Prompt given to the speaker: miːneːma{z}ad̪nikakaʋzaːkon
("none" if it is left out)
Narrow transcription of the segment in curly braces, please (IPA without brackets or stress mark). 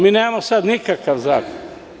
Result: s